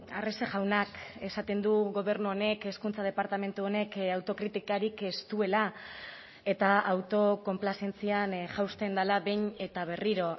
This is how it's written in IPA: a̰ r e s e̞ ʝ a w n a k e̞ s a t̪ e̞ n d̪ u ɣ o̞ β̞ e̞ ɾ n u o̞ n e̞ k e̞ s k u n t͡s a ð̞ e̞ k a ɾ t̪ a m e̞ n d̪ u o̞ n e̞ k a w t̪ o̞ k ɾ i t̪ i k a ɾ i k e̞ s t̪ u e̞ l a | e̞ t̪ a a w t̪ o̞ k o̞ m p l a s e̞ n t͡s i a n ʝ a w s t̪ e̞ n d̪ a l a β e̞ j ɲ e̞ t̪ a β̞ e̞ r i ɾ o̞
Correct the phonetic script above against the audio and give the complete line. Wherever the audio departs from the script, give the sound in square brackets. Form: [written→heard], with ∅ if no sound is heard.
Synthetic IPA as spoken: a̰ r e s e̞ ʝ a w n a k e̞ s a t̪ e̞ n d̪ u ɣ o̞ β̞ e̞ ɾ n u o̞ n e̞ k e̞ s k u n t͡s a ð̞ e̞ [k→p] a ɾ t̪ a m e̞ n [d̪→t̪] u o̞ n e̞ k a w t̪ o̞ k ɾ i t̪ i k a ɾ i k e̞ s t̪ u e̞ l a | e̞ t̪ a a w t̪ o̞ k o̞ m p l a s e̞ n t͡s i a n ʝ a w s t̪ e̞ n d̪ a l a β e̞ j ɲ e̞ t̪ a β̞ e̞ r i ɾ o̞